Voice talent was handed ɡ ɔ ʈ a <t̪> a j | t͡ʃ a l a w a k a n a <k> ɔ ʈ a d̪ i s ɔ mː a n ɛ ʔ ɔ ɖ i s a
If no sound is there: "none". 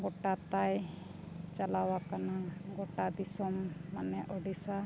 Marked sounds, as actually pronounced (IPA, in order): t̪, ɡ

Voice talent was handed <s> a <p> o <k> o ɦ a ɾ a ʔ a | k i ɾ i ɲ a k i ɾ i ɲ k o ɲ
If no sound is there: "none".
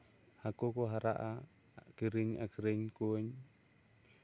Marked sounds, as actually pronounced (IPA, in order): h, k, k

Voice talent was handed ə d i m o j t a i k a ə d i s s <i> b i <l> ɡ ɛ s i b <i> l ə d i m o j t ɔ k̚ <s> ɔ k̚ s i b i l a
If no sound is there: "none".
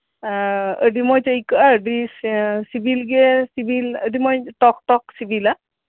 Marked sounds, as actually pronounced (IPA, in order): i, l, i, t

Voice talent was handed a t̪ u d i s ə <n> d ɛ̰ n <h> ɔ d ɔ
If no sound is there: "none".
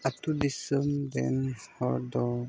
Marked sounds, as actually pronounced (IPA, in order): m, h

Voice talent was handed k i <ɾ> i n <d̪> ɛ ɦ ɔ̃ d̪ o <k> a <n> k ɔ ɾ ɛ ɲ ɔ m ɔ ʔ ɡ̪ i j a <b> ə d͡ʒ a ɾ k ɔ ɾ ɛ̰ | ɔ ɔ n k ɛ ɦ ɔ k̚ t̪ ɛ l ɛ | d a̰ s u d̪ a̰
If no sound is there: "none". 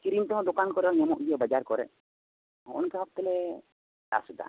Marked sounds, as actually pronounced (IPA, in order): ɾ, t̪, k, n, b

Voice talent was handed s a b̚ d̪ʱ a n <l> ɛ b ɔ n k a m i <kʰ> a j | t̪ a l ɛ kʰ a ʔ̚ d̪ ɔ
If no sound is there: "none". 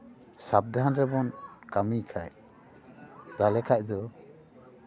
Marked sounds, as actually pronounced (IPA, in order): ɾ, kʰ

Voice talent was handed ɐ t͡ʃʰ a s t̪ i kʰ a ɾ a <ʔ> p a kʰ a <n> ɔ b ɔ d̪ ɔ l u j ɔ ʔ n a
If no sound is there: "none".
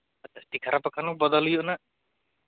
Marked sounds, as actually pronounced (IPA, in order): none, n

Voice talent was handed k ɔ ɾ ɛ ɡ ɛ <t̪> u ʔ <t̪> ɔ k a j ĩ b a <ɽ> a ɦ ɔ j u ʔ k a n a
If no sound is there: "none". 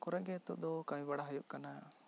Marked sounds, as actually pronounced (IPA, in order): t̪, d̪, ɽ

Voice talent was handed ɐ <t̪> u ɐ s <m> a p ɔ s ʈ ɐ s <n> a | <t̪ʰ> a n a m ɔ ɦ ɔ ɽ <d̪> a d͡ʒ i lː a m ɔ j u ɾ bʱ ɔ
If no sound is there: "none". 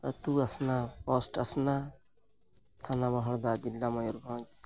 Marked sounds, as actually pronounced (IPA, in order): t̪, n, n, t̪ʰ, d̪

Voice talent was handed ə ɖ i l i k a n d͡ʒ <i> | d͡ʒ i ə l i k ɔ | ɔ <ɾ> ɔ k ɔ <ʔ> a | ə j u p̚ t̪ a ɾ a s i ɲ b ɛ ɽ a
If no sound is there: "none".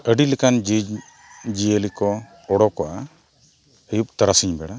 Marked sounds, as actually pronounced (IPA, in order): i, ɽ, ʔ

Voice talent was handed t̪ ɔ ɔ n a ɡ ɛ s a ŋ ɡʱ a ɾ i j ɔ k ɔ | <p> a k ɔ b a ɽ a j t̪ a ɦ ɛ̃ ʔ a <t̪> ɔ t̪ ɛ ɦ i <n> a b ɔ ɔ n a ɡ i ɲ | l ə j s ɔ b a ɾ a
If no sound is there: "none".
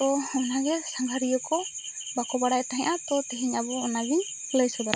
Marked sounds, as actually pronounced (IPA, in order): b, t̪, ɲ

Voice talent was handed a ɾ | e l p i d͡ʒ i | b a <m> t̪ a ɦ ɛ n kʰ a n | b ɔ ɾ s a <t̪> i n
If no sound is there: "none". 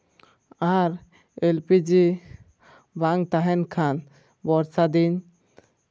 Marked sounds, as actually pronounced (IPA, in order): ŋ, d̪

